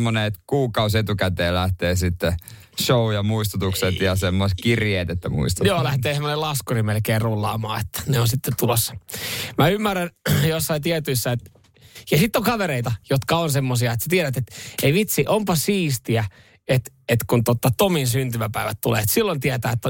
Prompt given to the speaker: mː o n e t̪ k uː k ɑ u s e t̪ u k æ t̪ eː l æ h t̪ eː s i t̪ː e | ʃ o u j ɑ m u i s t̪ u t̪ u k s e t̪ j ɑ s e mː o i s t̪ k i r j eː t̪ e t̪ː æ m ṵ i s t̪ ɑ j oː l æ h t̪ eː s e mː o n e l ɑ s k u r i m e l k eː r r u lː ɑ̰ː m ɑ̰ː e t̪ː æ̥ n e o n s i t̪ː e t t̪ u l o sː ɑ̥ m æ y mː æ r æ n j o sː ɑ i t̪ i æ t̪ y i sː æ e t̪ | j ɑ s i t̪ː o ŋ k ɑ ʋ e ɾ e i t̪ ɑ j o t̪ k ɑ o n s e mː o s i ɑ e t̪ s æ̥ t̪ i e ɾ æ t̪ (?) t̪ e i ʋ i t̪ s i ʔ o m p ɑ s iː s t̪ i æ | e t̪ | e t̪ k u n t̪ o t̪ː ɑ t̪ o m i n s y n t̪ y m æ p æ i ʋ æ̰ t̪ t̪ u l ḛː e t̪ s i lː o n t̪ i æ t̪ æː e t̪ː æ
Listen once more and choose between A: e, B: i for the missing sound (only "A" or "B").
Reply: A